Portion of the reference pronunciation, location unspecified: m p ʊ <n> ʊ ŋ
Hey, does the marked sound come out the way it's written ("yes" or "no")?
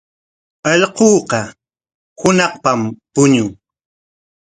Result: no